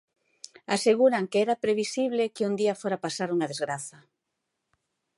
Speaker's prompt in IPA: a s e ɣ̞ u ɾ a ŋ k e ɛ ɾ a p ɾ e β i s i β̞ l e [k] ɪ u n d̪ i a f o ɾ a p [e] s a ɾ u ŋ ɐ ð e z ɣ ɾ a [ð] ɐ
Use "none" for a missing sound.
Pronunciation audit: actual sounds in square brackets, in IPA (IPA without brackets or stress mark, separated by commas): k, a, θ